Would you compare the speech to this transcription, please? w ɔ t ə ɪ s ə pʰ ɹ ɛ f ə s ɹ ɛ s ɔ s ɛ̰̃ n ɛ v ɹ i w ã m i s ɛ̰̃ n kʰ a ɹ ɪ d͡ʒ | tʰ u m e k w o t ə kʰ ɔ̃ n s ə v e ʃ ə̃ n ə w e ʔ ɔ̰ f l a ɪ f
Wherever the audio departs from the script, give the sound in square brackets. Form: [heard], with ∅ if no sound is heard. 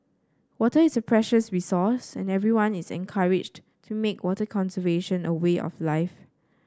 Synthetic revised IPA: w ɔ t ə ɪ s ə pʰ ɹ ɛ [ʃ] ə s ɹ [i] s ɔ s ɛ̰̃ n ɛ v ɹ i w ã [n] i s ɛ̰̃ n kʰ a ɹ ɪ d͡ʒ | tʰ u m e k w [ɔ] t ə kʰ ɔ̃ n s ə v e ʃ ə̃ n ə w e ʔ ɔ̰ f l a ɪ f